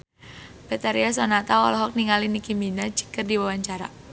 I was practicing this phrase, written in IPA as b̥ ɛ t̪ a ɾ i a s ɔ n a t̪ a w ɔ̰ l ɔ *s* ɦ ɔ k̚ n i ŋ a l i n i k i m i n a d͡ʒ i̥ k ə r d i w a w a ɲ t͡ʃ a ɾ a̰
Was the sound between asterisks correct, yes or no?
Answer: no